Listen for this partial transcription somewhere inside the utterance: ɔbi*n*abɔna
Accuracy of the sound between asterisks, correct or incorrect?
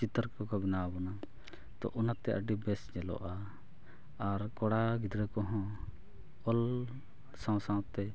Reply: correct